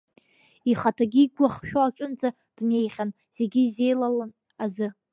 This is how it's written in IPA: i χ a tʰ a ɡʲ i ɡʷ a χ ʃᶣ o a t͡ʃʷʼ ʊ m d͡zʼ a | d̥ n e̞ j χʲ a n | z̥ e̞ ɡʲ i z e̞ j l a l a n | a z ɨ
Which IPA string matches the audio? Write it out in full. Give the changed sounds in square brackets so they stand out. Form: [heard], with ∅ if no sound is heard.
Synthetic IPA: i χ a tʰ a ɡʲ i ɡʷ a χ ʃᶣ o a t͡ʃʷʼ ʊ [n] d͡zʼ a | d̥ n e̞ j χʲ a n | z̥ e̞ ɡʲ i z e̞ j l a l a n | a z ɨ